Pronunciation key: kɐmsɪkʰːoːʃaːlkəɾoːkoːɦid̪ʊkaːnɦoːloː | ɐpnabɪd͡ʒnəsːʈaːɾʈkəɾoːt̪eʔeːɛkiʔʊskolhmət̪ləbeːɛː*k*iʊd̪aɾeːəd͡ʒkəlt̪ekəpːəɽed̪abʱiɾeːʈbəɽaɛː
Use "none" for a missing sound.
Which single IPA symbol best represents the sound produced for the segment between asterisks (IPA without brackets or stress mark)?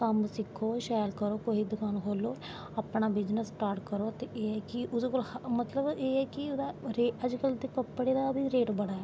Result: k